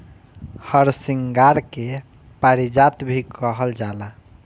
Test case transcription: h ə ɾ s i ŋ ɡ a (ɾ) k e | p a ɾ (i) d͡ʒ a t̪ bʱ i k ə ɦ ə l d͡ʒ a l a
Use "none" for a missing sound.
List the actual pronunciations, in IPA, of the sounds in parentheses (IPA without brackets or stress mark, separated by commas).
ɾ, i